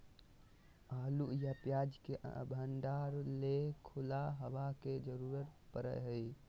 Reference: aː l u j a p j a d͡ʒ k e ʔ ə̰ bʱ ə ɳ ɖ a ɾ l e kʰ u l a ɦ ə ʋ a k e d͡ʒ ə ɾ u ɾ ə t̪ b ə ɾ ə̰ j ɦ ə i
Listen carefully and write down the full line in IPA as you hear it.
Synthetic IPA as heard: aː l u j a p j a d͡ʒ k e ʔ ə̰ bʱ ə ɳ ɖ a ɾ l e kʰ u l a ɦ ə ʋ a k e d͡ʒ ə ɾ u ɾ ə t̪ p ə ɾ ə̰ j ɦ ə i